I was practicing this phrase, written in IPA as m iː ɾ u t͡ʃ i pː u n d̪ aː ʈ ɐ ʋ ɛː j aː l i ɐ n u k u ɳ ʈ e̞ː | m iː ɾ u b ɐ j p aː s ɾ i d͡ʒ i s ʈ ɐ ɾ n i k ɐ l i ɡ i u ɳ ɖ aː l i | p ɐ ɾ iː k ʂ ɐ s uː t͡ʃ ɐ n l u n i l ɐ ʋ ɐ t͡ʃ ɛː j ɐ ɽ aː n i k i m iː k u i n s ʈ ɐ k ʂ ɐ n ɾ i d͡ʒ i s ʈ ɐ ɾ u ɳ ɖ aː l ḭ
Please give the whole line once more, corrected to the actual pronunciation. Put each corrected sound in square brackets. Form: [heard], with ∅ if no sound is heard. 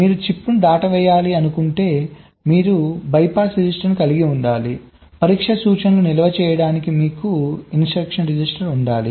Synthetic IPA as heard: m iː ɾ u t͡ʃ i pː u n d̪ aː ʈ ɐ ʋ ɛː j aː l i ɐ n u k u ɳ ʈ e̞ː | m iː ɾ u b ɐ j p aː s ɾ i d͡ʒ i s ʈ ɐ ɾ n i k ɐ l i ɡ i u ɳ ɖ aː l i | p ɐ ɾ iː k ʂ ɐ s uː t͡ʃ ɐ n l u n i l ɐ ʋ ɐ t͡ʃ ɛː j ɐ ɽ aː n i k i m iː k u i n s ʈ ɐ k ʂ ɐ n ɾ i d͡ʒ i s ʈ ɐ ɾ u ɳ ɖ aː l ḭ

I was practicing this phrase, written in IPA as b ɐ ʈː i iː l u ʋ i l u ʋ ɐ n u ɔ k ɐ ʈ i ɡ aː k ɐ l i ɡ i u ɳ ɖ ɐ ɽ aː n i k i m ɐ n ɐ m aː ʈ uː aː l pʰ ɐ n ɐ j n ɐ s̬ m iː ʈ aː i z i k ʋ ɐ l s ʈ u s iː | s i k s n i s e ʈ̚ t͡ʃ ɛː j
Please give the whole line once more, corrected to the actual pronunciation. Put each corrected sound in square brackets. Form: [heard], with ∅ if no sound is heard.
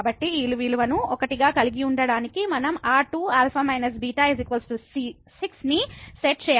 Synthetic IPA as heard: b ɐ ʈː i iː l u ʋ i l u ʋ ɐ n u ɔ k ɐ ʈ i ɡ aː k ɐ l i ɡ i u ɳ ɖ ɐ ɽ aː n i k i m ɐ n ɐ m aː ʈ uː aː l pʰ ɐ [m] ɐ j n ɐ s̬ [b] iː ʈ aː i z i k ʋ ɐ l s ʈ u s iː | s i k s n i s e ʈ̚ t͡ʃ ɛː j

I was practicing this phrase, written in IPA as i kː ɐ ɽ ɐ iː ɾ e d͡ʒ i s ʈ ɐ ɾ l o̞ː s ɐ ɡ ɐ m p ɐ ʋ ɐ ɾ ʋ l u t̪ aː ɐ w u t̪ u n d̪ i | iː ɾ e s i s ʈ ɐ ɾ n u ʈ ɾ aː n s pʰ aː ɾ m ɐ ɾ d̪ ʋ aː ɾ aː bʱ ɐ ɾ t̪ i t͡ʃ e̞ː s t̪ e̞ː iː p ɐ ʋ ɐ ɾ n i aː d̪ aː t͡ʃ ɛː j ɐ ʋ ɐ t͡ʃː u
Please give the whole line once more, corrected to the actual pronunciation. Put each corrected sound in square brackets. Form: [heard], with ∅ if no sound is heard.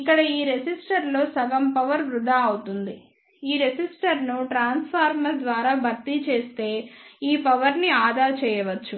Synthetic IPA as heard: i kː ɐ ɽ ɐ iː ɾ e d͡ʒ i s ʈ ɐ ɾ l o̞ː s ɐ ɡ ɐ m p ɐ ʋ ɐ ɾ ʋ [ɾ] u [d̪] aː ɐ w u t̪ u n d̪ i | iː ɾ e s i s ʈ ɐ ɾ n u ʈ ɾ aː n s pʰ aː ɾ m ɐ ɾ d̪ ʋ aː ɾ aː bʱ ɐ ɾ t̪ i t͡ʃ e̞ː s t̪ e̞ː iː p ɐ ʋ ɐ ɾ n i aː d̪ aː t͡ʃ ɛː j ɐ ʋ ɐ t͡ʃː u

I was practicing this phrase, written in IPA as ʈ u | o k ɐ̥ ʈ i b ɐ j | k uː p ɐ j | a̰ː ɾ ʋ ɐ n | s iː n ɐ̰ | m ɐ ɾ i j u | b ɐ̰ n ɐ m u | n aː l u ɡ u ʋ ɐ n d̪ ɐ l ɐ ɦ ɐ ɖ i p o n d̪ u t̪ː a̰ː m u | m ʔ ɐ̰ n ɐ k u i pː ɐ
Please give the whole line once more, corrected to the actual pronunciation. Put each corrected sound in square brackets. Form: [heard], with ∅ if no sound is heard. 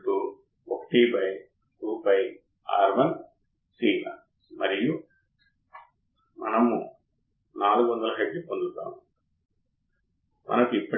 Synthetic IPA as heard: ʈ u | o k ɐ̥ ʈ i b ɐ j | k uː p ɐ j | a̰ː ɾ ʋ ɐ n | s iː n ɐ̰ | m ɐ ɾ i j u | [m] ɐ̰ n ɐ m u | n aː l u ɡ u ʋ ɐ n d̪ ɐ l ɐ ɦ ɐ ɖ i p o n d̪ u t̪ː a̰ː m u | m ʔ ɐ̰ n ɐ k u i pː ɐ

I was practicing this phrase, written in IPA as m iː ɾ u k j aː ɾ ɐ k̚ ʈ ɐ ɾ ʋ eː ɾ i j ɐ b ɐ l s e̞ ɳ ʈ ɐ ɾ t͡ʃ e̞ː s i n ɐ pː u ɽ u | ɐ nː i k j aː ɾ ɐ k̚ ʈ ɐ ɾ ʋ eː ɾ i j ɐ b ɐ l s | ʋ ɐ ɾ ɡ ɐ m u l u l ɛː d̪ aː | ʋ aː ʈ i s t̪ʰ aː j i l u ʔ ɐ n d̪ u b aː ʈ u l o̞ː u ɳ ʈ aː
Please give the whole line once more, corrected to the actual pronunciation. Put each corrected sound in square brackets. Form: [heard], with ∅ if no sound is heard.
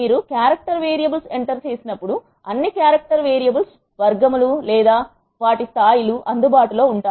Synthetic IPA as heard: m iː ɾ u k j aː ɾ ɐ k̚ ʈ ɐ ɾ ʋ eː ɾ i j ɐ b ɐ l s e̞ ɳ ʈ ɐ ɾ t͡ʃ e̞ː s i n ɐ pː u ɽ u | ɐ nː i k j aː ɾ ɐ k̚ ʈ ɐ ɾ ʋ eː ɾ i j ɐ b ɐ l s | ʋ ɐ ɾ ɡ ɐ m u l u l ɛː d̪ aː | ʋ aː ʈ i s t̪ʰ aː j i l u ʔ ɐ n d̪ u b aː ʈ u l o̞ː u ɳ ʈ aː

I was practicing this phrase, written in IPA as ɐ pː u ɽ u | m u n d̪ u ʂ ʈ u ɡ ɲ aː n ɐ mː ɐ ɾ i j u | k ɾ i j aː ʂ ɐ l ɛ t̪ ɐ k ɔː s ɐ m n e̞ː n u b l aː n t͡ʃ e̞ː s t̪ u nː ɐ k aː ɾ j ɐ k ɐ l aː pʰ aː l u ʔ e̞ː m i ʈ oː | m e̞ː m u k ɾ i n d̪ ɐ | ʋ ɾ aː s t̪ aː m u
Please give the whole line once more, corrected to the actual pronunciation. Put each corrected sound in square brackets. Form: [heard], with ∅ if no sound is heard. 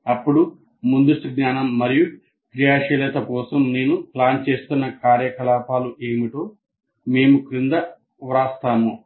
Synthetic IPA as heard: ɐ pː u ɽ u | m u n d̪ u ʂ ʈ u ɡ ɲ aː n ɐ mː ɐ ɾ i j u | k ɾ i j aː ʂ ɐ l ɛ t̪ ɐ k ɔː s ɐ m n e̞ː n u [p] l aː n t͡ʃ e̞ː s t̪ u nː ɐ k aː ɾ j ɐ k ɐ l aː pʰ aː l u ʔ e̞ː m i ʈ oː | m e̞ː m u k ɾ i n d̪ ɐ | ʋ ɾ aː s t̪ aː m u

